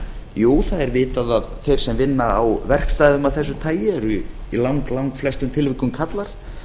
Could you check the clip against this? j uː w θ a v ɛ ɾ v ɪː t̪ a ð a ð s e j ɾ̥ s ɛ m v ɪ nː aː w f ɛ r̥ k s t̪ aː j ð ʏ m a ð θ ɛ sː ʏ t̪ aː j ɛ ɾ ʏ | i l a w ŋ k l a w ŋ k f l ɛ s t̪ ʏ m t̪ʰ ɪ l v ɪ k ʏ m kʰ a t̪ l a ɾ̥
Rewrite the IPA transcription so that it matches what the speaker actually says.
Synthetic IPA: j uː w θ a ð ɛ ɾ v ɪː t̪ a ð a ð θ e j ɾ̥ s ɛ m v ɪ nː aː w v ɛ r̥ k s t̪ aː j ð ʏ m a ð θ ɛ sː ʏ t̪ʰ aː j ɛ ɾ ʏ | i l a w ŋ k l a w ŋ k f l ɛ s t̪ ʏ m t̪ʰ ɪ l v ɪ k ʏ m kʰ a t̪ l a ɾ̥